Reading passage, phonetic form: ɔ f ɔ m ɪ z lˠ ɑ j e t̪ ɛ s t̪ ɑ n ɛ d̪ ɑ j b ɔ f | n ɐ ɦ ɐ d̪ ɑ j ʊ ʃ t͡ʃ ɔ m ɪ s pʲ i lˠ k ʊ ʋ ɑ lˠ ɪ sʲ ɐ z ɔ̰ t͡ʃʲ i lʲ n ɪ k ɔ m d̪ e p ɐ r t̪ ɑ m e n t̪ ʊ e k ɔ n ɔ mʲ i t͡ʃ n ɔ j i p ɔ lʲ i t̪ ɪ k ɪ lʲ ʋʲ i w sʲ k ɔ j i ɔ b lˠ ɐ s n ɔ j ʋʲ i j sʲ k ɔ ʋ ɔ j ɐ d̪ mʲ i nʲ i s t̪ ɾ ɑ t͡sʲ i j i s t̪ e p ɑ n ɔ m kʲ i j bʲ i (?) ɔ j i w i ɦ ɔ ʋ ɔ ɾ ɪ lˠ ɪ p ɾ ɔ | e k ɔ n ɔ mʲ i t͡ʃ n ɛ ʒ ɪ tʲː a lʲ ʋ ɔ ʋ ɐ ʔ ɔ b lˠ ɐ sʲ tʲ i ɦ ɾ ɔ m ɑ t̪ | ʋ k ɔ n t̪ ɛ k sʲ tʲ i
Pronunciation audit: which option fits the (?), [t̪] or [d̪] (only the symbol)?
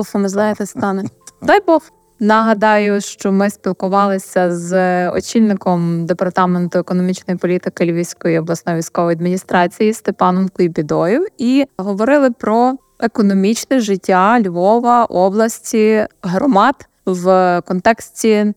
d̪